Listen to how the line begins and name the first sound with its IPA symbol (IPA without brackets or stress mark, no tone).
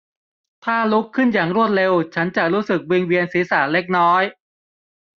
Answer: t̪ʰ